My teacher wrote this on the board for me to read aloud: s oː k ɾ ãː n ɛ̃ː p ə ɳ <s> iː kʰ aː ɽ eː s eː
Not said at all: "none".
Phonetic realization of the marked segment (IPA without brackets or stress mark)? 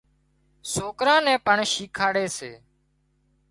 ʃ